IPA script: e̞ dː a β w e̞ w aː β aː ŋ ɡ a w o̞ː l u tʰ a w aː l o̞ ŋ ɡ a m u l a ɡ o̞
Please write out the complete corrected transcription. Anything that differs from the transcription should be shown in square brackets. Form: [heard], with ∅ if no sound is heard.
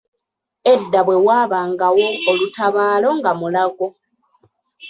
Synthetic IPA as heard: e̞ dː a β w e̞ w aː β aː ŋ ɡ a w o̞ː l u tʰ a [β] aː l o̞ ŋ ɡ a m u l a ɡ o̞